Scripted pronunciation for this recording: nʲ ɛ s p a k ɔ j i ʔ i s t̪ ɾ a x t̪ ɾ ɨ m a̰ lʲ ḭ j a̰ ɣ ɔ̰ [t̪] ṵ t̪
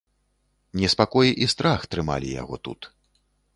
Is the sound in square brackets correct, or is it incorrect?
correct